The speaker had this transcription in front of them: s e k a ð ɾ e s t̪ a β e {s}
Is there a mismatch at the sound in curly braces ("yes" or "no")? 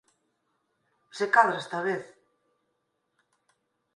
yes